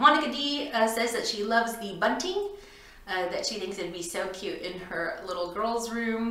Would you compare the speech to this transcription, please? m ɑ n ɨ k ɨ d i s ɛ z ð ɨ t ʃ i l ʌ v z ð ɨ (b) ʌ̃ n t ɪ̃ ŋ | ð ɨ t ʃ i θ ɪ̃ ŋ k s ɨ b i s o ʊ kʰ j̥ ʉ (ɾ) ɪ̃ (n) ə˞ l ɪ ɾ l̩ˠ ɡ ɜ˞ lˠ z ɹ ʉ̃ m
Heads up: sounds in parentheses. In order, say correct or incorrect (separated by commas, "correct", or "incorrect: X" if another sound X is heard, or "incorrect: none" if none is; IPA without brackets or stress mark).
correct, correct, correct